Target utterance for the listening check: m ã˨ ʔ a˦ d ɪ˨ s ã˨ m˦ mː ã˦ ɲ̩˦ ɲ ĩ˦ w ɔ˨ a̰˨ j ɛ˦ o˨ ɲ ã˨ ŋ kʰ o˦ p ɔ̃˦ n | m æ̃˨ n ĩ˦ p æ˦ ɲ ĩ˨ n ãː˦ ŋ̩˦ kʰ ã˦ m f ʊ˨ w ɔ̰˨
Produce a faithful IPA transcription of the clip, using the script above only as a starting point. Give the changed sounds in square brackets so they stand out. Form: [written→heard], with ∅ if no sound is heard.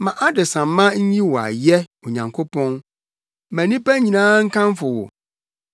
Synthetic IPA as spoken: m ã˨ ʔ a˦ d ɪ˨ s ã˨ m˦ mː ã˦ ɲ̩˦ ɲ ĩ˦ w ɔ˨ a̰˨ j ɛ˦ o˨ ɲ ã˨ ŋ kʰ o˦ p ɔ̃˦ n | m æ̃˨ n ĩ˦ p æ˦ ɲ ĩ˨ n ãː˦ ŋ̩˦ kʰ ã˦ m f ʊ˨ w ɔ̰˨